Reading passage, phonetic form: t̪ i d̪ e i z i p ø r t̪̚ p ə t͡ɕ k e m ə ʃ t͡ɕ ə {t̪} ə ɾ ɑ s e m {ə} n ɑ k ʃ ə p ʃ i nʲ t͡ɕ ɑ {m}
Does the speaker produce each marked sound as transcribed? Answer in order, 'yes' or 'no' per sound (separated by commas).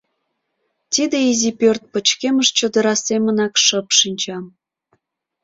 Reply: no, yes, yes